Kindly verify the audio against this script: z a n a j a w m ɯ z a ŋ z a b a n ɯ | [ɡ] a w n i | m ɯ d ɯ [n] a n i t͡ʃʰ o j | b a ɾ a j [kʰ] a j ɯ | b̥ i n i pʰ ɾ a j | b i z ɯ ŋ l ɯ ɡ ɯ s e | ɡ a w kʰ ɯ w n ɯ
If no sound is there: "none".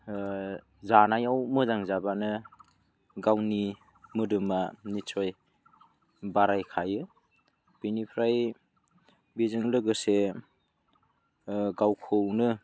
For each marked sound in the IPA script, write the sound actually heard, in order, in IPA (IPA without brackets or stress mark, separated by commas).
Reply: ɡ, m, kʰ